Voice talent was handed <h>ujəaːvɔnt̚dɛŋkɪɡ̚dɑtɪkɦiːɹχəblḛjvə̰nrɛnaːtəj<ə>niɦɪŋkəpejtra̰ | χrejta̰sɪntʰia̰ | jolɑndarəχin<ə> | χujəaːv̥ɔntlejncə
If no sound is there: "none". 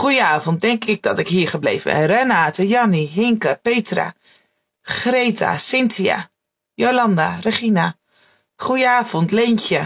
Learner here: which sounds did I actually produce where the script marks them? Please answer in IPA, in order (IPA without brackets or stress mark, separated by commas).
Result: χ, ɑ, a